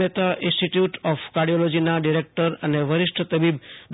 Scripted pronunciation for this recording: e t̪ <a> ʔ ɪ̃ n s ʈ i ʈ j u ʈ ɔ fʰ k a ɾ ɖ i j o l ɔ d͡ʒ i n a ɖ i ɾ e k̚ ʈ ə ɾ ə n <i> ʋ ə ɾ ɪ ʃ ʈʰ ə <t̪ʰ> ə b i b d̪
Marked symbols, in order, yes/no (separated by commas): yes, no, no